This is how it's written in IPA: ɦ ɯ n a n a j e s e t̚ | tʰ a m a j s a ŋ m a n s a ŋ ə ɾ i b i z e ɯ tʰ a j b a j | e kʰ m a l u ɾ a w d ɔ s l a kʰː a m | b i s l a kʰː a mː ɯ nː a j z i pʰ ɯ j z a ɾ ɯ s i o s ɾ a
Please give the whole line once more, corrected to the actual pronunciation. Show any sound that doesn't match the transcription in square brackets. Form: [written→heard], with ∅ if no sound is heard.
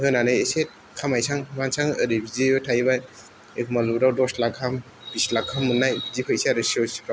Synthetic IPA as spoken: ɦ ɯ n a n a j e s e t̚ | [tʰ→kʰ] a m a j s a ŋ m a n s a ŋ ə ɾ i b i z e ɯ tʰ a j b a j | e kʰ m a l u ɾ a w d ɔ s l a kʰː a m | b i s l a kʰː a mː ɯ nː a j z i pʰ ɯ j [z→s] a ɾ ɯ s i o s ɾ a

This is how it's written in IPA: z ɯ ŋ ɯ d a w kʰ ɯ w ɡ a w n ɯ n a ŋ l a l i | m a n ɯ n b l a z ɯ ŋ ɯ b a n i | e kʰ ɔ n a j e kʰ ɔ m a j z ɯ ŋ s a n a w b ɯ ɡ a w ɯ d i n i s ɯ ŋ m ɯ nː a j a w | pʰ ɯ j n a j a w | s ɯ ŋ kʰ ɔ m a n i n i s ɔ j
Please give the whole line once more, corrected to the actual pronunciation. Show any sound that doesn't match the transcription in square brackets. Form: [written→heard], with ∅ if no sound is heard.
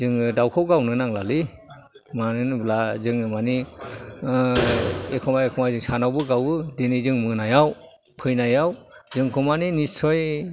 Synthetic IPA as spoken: z ɯ ŋ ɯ d a w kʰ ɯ w ɡ a w n ɯ n a ŋ l a l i | m a n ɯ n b l a z ɯ ŋ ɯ [b→m] a n i | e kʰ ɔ [n→m] a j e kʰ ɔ m a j z ɯ ŋ s a n a w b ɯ ɡ a w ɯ d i n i [s→z] ɯ ŋ m ɯ [nː→n] a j a w | pʰ ɯ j n a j a w | [s→z] ɯ ŋ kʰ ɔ m a n i n i s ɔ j

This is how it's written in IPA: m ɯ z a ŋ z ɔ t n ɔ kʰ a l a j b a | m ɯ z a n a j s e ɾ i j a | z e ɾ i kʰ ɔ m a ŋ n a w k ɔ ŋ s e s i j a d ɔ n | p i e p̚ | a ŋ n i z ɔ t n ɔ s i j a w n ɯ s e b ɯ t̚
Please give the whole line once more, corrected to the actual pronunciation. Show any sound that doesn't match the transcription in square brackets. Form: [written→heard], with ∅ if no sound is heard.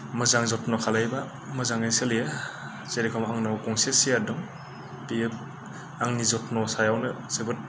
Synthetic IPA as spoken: m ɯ z a ŋ z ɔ t n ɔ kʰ a l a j b a | m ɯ z a [n→ŋ] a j s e [ɾ→l] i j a | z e ɾ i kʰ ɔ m a ŋ n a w k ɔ ŋ s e s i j a d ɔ [n→ŋ] | p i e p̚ | a ŋ n i z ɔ t n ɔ s [i→a] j a w n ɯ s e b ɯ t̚

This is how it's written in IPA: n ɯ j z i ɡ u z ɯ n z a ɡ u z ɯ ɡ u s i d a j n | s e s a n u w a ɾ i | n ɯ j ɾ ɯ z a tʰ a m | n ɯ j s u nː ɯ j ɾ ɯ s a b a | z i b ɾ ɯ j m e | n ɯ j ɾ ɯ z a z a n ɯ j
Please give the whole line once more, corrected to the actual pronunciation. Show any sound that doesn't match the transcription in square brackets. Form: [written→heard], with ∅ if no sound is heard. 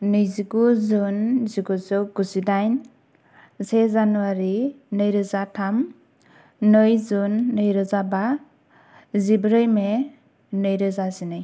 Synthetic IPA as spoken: n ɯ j z i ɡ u z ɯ n z [a→i] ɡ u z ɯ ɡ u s i d a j n | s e [s→z] a n u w a ɾ i | n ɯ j ɾ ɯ z a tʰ a m | n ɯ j [s→z] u nː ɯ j ɾ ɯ [s→z] a b a | z i b ɾ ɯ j m e | n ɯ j ɾ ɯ z a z [a→i] n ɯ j

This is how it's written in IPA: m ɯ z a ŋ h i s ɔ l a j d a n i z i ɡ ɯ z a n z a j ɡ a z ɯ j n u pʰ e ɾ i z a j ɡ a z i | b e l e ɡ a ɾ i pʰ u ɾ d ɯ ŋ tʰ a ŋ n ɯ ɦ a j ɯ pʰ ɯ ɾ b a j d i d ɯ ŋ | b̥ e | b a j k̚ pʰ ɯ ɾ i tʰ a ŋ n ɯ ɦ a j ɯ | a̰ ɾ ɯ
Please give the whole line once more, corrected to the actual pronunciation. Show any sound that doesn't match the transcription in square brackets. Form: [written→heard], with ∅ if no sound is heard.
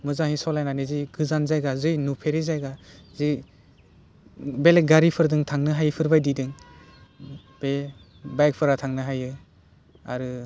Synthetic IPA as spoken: m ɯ z a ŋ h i s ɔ l a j [d→n] a n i z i ɡ ɯ z a n z a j ɡ a z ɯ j n u pʰ e ɾ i z a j ɡ a z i | b e l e ɡ a ɾ i pʰ [u→ɯ] ɾ d ɯ ŋ tʰ a ŋ n ɯ ɦ a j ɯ pʰ ɯ ɾ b a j d i d ɯ ŋ | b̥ e | b a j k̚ pʰ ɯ ɾ [i→a] tʰ a ŋ n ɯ ɦ a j ɯ | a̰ ɾ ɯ

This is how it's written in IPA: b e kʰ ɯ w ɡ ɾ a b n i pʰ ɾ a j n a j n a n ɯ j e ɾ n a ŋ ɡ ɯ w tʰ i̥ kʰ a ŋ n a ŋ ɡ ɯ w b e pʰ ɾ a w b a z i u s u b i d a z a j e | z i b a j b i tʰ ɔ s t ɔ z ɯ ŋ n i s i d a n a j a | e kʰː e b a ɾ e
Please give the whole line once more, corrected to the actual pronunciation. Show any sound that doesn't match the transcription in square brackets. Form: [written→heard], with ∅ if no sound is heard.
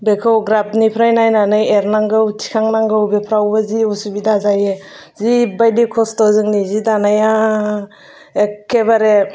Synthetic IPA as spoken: b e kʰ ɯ w ɡ ɾ a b n i pʰ ɾ a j n a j n a n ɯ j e ɾ n a ŋ ɡ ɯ w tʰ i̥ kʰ a ŋ n a ŋ ɡ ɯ w b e pʰ ɾ a w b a z i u s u b i d a z a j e | z i b a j [b→d] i [tʰ→kʰ] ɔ s t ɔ z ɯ ŋ n i [s→z] i d a n a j a | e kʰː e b a ɾ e

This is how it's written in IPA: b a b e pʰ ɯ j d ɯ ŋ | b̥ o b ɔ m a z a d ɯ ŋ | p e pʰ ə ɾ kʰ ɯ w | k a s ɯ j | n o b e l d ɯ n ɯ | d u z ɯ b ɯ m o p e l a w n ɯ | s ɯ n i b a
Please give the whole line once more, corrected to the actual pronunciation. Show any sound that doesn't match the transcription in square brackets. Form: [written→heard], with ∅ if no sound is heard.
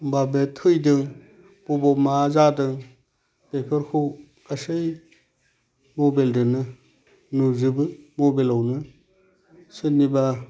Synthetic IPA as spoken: b a b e [pʰ→tʰ] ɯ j d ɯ ŋ | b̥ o b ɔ m a z a d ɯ ŋ | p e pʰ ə ɾ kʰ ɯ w | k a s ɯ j | [n→m] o b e l d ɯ n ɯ | [d→n] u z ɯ b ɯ m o [p→b] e l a w n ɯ | s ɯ n i b a

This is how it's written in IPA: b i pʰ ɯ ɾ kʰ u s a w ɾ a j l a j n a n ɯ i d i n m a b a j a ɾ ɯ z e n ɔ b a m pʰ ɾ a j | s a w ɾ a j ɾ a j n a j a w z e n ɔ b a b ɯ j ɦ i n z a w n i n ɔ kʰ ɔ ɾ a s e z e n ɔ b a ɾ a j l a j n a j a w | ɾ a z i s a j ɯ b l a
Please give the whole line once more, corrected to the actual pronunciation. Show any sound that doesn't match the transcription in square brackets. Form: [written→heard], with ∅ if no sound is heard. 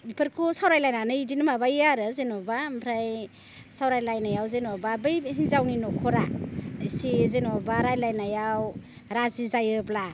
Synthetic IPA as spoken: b i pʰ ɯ ɾ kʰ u s a w ɾ a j l a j n a n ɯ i d i n m a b a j a ɾ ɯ z e n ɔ b a m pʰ ɾ a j | s a w ɾ a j [ɾ→l] a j n a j a w z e n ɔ b a b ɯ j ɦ i n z a w n i n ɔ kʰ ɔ ɾ a s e z e n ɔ b a ɾ a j l a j n a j a w | ɾ a z i [s→z] a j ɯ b l a

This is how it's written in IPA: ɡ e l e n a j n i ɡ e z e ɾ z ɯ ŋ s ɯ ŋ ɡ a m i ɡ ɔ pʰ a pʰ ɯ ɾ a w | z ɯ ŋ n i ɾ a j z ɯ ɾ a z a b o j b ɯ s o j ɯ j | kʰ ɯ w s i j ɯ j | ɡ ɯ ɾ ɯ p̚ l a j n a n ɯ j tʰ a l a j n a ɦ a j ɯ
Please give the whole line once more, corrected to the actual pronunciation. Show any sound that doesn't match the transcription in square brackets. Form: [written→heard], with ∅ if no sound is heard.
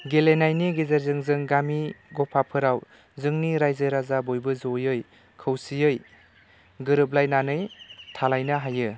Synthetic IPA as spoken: ɡ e l e n a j n i ɡ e z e ɾ z ɯ ŋ [s→z] ɯ ŋ ɡ a m i ɡ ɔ pʰ a pʰ ɯ ɾ a w | z ɯ ŋ n i ɾ a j z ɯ ɾ a z a b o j b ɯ [s→z] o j ɯ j | kʰ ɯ w s i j ɯ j | ɡ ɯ ɾ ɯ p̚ l a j n a n ɯ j tʰ a l a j n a ɦ a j ɯ

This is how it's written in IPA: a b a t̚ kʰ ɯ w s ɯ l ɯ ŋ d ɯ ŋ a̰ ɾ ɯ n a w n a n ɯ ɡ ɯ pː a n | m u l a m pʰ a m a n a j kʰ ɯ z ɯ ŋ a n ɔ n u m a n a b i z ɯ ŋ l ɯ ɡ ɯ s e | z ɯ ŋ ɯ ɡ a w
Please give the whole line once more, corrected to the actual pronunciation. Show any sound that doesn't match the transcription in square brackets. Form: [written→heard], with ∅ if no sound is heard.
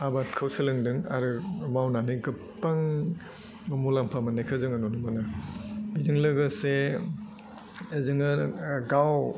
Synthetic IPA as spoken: a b a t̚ kʰ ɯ w s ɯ l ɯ ŋ d ɯ ŋ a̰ ɾ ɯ [n→m] a w n a n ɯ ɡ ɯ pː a [n→ŋ] | m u l a m pʰ a m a n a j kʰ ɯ z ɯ ŋ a n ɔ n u m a n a b i z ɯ ŋ l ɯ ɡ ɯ s e | z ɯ ŋ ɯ ɡ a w

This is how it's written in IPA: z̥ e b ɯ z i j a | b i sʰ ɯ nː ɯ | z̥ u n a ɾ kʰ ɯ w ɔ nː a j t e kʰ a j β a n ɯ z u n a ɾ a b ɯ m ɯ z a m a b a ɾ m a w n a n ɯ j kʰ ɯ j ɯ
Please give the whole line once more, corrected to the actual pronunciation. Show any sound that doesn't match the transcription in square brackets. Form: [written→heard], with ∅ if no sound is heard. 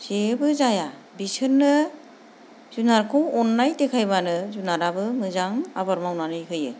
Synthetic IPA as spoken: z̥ e b ɯ z [i→a] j a | b i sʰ ɯ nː ɯ | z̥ u n a ɾ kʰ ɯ w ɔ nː a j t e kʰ a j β a n ɯ z u n a ɾ a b ɯ m ɯ z a [m→ŋ] a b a ɾ m a w n a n ɯ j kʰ ɯ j ɯ

